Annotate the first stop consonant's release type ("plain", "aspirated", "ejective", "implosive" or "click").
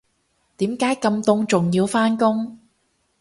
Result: plain